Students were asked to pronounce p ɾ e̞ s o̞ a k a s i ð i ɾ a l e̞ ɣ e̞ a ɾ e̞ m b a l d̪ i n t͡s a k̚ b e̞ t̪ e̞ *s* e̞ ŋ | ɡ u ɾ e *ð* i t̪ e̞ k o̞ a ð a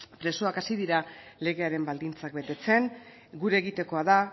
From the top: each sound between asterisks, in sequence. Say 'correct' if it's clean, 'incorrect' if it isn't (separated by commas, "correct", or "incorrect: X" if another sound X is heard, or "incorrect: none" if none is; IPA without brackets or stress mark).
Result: incorrect: t͡s, incorrect: ɣ